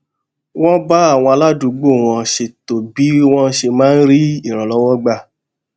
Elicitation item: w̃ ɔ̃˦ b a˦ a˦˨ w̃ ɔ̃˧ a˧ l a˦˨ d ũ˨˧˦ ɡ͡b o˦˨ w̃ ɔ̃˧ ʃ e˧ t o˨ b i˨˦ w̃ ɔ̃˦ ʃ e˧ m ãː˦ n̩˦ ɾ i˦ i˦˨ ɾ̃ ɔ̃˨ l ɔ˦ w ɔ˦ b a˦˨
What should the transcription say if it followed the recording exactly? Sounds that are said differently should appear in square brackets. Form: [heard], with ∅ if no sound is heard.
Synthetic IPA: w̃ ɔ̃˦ b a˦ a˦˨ w̃ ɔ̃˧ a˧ l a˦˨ d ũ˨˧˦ ɡ͡b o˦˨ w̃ ɔ̃˧ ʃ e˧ t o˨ b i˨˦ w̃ ɔ̃˦ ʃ e˧ m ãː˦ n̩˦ ɾ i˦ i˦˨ ɾ̃ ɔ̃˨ l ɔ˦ w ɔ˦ [ɡ͡b] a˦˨

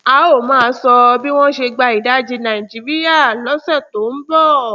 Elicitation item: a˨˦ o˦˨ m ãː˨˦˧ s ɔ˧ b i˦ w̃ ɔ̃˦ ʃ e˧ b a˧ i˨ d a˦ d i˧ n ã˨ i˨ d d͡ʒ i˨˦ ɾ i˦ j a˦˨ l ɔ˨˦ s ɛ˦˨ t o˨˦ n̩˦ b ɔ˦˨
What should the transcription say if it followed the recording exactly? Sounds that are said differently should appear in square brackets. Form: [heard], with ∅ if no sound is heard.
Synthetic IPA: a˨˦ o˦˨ m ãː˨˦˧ s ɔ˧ b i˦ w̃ ɔ̃˦ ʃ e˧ [ɡ͡b] a˧ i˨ d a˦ [d͡ʒ] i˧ n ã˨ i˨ [∅] d͡ʒ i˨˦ ɾ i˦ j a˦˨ l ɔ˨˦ s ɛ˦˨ t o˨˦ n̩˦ b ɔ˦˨

